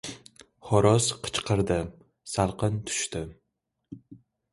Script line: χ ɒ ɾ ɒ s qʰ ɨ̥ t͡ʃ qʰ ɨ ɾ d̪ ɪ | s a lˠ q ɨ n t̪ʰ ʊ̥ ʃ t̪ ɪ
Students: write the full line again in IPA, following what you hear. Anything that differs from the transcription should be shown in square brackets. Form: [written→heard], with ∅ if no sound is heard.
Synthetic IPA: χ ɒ ɾ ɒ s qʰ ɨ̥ t͡ʃ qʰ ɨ ɾ d̪ ɪ | s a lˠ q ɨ n t̪ʰ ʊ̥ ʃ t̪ ɪ